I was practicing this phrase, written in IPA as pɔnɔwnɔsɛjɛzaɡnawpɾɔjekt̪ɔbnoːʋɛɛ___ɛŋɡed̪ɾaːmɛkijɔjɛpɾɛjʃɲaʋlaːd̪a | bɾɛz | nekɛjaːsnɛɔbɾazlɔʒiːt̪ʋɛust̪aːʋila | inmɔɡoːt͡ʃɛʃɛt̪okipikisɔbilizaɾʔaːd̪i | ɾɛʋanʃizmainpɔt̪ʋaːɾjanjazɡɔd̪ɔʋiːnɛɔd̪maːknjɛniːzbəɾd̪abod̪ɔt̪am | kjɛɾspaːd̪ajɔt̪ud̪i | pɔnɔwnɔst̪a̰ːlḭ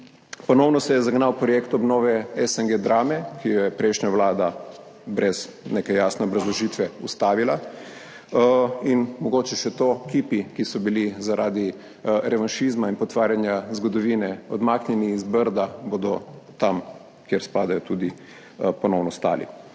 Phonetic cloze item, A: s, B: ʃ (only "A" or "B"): A